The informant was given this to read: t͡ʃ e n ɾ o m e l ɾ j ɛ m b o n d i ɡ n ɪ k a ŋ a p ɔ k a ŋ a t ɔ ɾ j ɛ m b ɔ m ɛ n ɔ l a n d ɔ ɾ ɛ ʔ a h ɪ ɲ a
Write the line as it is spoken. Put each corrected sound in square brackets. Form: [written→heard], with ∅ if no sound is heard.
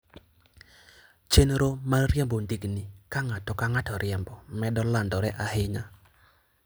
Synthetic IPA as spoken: t͡ʃ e n ɾ o m [e→a] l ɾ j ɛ m b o n d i ɡ n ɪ k a ŋ a [p→t] ɔ k a ŋ a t ɔ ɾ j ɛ m b ɔ m ɛ [n→d] ɔ l a n d ɔ ɾ ɛ ʔ a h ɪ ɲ a